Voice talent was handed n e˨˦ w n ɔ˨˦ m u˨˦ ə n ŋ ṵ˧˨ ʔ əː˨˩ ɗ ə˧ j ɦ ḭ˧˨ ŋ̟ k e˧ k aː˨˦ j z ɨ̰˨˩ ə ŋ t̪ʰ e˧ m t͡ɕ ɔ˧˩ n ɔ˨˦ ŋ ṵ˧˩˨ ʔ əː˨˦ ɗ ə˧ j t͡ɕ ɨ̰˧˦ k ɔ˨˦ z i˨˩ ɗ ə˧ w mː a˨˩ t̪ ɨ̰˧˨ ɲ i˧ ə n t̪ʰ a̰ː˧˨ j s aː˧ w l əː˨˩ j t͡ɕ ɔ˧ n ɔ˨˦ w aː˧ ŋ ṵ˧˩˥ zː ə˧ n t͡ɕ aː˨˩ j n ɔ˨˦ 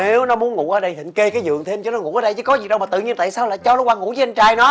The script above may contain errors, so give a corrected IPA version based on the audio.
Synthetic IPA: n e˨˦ w n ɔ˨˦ m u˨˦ ə n ŋ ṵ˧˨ ʔ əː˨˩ ɗ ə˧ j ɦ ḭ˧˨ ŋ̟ k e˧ k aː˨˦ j z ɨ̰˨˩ ə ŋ t̪ʰ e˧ m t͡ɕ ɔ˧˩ n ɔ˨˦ ŋ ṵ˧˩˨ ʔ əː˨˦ ɗ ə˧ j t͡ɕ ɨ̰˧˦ k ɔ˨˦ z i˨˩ ɗ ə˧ w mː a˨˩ t̪ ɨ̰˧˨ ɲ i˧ ə n t̪ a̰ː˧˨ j s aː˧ w l aː˨˩ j t͡ɕ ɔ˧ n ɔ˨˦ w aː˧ ŋ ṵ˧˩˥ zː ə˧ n t͡ɕ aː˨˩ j n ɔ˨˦